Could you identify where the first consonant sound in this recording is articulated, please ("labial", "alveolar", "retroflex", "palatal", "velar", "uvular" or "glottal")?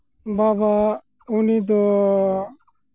labial